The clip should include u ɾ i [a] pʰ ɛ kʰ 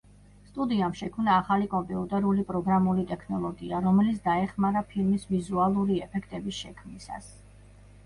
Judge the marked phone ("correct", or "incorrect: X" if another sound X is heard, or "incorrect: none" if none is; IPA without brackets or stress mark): incorrect: ɛ